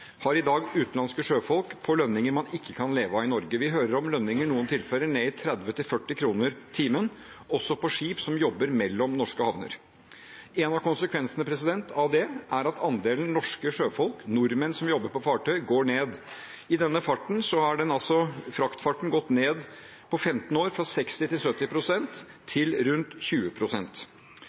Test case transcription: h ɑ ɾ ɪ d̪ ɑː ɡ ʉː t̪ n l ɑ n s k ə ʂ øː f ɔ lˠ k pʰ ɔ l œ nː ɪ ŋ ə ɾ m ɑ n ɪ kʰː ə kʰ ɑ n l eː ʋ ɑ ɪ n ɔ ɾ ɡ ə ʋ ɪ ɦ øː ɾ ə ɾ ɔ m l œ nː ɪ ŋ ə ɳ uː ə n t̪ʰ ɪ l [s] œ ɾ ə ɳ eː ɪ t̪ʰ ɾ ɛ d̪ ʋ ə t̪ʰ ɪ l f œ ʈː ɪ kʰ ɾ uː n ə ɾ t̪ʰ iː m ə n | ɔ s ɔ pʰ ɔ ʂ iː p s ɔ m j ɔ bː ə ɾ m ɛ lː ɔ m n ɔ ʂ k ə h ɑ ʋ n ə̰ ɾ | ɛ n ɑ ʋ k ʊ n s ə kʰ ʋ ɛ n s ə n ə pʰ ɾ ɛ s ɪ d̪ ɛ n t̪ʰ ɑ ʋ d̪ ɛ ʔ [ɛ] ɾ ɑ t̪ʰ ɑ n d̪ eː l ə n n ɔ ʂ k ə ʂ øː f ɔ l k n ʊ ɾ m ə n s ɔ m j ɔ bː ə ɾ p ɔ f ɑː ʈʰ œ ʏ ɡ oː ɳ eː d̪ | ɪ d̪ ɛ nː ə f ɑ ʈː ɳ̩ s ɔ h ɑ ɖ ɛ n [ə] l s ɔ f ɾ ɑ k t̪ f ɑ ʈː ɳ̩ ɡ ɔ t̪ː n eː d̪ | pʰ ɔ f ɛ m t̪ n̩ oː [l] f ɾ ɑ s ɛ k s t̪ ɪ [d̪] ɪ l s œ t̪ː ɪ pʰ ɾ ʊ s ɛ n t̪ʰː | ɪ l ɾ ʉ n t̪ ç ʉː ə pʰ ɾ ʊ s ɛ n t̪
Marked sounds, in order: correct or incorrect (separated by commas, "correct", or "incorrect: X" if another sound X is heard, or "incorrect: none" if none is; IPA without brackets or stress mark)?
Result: incorrect: f, incorrect: æ, incorrect: ɑ, incorrect: ɾ, incorrect: t̪